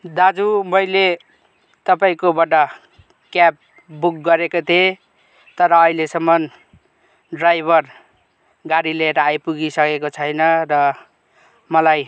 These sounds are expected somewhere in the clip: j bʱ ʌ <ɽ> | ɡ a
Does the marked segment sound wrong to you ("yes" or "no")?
yes